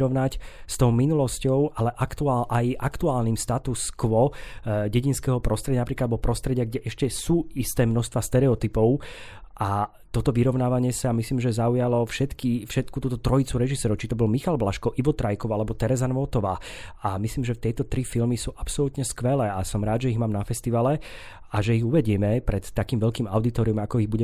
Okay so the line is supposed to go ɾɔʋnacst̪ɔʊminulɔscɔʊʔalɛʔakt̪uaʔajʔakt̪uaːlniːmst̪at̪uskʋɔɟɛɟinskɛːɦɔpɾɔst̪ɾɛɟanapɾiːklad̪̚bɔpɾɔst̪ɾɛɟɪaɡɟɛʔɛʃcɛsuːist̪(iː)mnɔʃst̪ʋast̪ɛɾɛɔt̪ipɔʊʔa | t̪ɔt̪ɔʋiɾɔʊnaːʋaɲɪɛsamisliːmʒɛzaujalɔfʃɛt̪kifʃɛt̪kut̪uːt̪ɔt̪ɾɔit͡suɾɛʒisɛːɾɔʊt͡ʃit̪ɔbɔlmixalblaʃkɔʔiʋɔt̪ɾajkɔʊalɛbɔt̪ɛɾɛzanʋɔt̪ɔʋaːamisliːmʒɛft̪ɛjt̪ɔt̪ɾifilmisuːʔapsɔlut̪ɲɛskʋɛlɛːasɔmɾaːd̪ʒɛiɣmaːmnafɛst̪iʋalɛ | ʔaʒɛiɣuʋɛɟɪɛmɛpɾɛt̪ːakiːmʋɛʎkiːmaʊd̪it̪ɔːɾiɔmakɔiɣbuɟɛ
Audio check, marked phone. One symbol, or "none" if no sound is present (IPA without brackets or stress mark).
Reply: ɛː